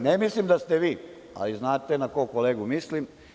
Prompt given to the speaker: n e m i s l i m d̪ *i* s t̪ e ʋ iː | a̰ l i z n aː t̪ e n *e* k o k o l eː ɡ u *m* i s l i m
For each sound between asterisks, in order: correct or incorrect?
incorrect, incorrect, correct

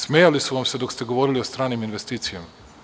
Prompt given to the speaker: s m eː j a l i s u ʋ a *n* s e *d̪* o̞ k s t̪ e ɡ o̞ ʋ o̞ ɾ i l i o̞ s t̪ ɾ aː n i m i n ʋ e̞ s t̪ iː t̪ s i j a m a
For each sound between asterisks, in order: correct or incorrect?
incorrect, correct

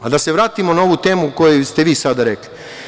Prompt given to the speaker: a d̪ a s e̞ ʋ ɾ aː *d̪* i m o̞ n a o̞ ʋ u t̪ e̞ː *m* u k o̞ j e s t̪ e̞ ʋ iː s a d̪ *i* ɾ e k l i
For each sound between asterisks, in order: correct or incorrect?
incorrect, correct, incorrect

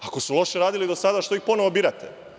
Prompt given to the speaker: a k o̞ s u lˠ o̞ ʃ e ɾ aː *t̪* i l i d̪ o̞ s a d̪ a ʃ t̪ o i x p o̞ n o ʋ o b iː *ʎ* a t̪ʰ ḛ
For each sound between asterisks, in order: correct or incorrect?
incorrect, incorrect

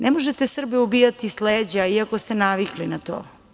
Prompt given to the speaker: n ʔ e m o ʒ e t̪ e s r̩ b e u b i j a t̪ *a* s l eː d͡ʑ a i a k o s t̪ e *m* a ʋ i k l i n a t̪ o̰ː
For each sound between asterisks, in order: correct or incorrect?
incorrect, incorrect

